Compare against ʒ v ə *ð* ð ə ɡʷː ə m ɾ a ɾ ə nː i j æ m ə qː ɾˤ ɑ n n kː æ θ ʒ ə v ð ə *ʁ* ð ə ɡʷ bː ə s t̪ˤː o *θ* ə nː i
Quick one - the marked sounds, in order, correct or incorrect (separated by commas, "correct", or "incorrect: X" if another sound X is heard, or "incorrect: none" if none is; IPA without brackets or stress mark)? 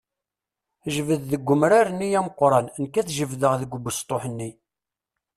correct, correct, incorrect: ħ